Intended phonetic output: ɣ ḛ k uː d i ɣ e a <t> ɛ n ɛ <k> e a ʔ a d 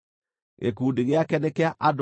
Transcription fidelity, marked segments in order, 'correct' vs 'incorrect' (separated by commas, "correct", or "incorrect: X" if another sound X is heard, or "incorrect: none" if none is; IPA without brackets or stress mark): incorrect: k, correct